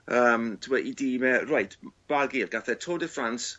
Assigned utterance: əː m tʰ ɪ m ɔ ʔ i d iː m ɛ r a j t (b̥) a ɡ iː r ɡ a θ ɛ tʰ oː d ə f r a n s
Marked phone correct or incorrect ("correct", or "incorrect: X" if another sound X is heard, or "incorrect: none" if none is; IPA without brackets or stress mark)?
correct